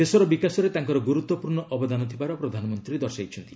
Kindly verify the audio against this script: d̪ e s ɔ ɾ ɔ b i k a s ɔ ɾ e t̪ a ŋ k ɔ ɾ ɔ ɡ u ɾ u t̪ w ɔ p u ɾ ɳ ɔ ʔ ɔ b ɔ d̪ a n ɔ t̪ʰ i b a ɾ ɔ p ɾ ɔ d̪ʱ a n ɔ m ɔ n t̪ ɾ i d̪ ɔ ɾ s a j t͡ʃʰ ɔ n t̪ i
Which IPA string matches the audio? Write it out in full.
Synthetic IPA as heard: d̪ e s ɔ ɾ ɔ b i k a s ɔ ɾ e t̪ a ŋ k ɔ ɾ ɔ ɡ u ɾ u t̪ w ɔ p u ɾ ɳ ɔ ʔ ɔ b ɔ d̪ a n ɔ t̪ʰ i b a ɾ ɔ p ɾ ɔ d̪ʱ a n ɔ m ɔ n t̪ ɾ i d̪ ɔ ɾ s a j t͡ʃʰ ɔ n t̪ i